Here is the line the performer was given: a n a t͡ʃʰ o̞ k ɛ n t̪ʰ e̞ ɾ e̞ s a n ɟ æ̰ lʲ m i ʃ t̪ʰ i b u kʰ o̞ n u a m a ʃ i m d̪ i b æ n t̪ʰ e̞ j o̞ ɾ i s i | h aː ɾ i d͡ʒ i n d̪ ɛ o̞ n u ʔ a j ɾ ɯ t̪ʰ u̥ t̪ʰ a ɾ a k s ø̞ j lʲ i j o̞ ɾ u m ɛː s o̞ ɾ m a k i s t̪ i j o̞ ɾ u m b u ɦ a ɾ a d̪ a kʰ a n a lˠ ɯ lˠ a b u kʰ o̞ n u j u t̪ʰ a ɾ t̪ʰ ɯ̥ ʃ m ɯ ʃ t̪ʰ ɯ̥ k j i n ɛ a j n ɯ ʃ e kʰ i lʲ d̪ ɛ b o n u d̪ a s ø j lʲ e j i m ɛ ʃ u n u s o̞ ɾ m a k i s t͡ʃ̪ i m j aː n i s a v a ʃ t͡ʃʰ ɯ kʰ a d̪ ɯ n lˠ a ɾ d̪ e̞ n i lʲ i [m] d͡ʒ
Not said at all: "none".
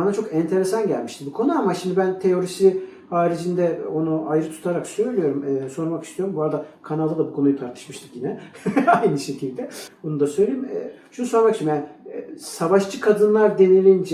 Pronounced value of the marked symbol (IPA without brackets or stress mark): n